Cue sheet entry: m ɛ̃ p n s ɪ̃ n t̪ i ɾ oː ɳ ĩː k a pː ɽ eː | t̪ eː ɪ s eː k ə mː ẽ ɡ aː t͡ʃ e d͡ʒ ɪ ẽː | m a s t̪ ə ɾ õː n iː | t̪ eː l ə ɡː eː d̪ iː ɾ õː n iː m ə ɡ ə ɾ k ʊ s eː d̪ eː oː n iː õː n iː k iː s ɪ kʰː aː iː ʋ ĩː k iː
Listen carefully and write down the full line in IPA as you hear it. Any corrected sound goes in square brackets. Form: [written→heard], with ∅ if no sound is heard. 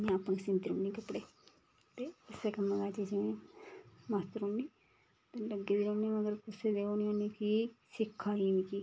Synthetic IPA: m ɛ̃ p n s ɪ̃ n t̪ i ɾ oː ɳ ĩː k [a→ə] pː ɽ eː | t̪ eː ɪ s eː k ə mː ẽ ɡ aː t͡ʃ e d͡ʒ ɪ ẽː | m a s t̪ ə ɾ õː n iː | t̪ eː l ə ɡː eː d̪ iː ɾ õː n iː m ə ɡ ə ɾ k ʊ s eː d̪ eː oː n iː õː n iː k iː s ɪ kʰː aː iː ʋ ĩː k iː